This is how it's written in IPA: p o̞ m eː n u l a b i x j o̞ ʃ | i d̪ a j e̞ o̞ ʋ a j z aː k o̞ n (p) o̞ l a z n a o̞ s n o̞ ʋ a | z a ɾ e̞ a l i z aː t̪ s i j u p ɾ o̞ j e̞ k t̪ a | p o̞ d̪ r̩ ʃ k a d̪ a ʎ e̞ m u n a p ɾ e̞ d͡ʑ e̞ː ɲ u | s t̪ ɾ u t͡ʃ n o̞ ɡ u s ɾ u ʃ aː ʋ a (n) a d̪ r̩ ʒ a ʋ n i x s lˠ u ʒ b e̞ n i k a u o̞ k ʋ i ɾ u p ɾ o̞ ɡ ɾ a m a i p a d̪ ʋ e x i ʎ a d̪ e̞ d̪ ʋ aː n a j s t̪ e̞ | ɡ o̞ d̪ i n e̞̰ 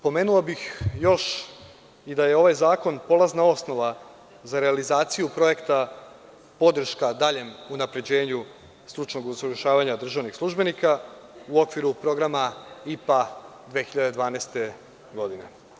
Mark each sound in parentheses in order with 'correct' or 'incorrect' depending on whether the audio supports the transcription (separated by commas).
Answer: correct, incorrect